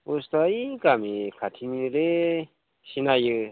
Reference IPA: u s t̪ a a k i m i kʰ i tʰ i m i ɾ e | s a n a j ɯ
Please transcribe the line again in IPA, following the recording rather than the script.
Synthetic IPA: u s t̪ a i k a m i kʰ a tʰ i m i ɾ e | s i n a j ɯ

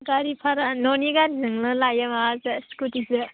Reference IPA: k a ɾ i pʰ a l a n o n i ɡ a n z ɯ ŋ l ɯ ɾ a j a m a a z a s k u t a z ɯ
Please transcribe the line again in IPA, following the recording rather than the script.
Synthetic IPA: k a ɾ i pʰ a ɾ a n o n i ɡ a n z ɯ ŋ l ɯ l a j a m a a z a s k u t i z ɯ

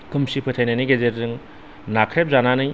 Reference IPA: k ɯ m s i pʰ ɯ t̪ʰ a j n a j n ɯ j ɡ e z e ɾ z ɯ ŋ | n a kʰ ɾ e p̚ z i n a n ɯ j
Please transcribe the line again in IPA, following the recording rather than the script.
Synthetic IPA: k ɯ m s i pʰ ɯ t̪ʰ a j n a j n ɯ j ɡ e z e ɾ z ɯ ŋ | n a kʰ ɾ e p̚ z a n a n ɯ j

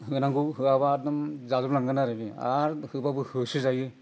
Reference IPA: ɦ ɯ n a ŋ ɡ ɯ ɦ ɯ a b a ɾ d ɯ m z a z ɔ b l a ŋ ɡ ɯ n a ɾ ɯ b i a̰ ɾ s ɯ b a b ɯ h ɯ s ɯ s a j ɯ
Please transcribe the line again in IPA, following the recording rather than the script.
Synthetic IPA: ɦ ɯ n a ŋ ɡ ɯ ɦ ɯ a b a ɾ d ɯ m z a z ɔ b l a ŋ ɡ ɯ n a ɾ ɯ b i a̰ ɾ h ɯ b a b ɯ h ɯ s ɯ z a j ɯ

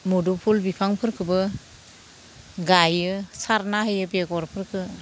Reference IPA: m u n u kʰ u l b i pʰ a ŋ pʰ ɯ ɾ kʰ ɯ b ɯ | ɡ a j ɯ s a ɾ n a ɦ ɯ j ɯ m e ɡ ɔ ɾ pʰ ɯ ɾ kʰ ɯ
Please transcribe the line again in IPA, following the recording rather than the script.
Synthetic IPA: m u d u pʰ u l b i pʰ a ŋ pʰ ɯ ɾ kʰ ɯ b ɯ | ɡ a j ɯ s a ɾ n a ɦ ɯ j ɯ b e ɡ ɔ ɾ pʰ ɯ ɾ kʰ ɯ

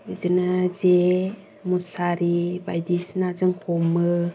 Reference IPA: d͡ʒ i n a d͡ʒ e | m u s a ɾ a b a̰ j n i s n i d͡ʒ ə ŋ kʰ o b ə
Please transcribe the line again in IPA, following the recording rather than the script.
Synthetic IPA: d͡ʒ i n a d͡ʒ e | m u s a ɾ i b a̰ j d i s n a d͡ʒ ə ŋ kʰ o m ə

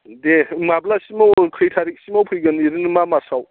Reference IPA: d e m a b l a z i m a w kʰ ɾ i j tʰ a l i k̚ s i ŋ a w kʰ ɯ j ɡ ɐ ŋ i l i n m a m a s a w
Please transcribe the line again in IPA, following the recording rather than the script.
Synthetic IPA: d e m a b l a s i m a w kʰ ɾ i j tʰ a ɾ i k̚ s i m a w pʰ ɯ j ɡ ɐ n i ɾ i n m a m a s a w

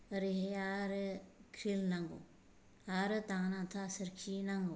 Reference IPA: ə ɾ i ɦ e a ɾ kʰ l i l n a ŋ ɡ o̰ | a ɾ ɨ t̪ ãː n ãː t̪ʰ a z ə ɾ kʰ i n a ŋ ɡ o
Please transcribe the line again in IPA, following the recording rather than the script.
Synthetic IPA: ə ɾ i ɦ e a ɾ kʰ ɾ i l n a ŋ ɡ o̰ | a ɾ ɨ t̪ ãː n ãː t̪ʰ a s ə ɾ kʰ i n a ŋ ɡ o

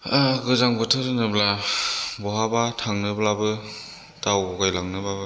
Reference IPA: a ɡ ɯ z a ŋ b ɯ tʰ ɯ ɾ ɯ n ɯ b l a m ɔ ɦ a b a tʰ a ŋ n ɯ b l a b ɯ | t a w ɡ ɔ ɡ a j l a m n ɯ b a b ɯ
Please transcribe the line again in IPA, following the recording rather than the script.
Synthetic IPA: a ɡ ɯ z a ŋ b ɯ tʰ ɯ ɾ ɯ n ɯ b l a b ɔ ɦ a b a tʰ a ŋ n ɯ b l a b ɯ | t a w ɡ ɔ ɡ a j l a ŋ n ɯ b a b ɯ

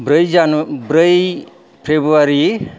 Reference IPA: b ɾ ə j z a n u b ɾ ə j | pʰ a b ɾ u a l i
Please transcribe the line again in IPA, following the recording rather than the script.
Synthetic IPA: b ɾ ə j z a n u b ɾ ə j | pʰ e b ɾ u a ɾ i

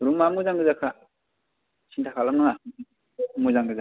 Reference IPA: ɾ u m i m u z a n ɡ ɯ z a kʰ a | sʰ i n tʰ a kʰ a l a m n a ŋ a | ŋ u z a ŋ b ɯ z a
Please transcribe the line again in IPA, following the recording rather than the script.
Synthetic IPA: ɾ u m a m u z a ŋ ɡ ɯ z a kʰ a | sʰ i n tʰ a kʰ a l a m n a ŋ a | m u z a ŋ ɡ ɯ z a

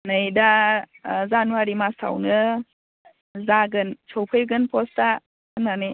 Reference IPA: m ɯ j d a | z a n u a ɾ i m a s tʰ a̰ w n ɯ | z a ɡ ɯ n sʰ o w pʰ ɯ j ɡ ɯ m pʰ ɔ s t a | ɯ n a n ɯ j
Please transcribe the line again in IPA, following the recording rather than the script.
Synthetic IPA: n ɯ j d a | z a n u a ɾ i m a s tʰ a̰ w n ɯ | z a ɡ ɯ n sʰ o w pʰ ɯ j ɡ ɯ n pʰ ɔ s t a | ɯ n a n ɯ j

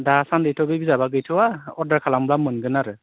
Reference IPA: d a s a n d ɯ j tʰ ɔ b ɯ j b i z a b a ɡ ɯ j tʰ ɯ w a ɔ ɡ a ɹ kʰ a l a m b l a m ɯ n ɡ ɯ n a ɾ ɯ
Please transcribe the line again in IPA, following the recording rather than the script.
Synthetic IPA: d a s a n d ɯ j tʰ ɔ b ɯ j b i z a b a ɡ ɯ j tʰ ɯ w a ɔ d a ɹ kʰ a l a m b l a m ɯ n ɡ ɯ n a ɾ ɯ

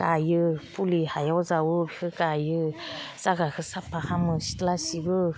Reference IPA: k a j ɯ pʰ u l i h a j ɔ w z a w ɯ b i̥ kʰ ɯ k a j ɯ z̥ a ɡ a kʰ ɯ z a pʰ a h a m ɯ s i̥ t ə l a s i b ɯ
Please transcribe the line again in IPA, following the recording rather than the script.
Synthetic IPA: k a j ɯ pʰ u l i h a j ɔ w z a w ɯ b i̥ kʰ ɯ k a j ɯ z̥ a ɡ a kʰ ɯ s a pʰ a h a m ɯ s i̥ t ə l a s i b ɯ

